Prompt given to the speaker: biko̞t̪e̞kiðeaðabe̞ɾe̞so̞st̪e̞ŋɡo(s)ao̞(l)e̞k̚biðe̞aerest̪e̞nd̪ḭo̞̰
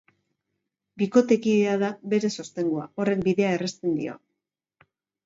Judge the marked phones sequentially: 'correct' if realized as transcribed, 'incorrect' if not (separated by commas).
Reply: incorrect, incorrect